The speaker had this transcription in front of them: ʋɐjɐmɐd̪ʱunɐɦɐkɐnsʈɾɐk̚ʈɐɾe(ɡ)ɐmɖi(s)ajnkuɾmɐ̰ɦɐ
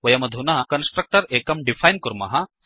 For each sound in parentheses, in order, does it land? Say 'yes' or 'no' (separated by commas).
no, no